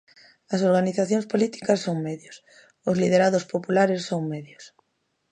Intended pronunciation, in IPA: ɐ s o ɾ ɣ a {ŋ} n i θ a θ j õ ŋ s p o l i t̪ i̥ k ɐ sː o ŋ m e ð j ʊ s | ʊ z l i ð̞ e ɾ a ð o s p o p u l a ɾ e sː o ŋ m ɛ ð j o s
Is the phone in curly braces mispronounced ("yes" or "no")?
yes